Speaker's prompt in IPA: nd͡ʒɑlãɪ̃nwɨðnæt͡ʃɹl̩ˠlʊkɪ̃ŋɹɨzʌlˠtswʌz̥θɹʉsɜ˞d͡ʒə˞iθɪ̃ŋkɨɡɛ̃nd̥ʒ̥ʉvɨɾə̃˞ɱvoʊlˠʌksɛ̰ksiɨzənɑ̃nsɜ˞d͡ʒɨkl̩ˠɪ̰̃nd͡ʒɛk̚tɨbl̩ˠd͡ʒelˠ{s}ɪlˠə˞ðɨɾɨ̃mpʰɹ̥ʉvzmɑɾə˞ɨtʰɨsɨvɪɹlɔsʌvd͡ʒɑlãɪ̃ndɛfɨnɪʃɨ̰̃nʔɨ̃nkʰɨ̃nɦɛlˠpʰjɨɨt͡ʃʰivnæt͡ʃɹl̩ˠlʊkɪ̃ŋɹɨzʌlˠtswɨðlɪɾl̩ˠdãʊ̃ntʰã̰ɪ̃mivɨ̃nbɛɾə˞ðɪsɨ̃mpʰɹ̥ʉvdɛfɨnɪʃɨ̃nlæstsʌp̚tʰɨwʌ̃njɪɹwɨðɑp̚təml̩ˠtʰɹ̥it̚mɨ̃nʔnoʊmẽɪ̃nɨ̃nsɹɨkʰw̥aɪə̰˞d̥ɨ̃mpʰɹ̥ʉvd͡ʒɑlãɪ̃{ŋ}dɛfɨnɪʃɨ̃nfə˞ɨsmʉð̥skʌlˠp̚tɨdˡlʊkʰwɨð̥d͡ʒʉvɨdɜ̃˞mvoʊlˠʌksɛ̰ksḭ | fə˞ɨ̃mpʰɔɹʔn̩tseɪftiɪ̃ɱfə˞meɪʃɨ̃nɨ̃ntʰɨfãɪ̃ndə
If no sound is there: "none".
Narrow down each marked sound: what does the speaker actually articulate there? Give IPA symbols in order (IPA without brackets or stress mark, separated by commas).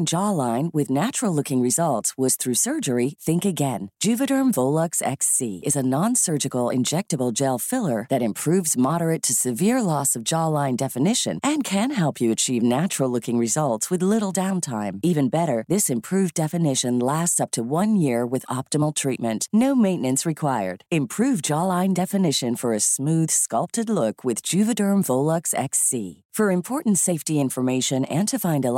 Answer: f, n